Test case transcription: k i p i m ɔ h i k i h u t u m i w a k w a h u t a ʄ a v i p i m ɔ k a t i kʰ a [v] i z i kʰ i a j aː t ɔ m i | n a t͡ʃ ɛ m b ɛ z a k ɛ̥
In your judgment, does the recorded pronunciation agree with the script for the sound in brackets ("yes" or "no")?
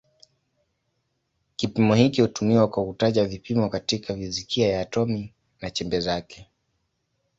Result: yes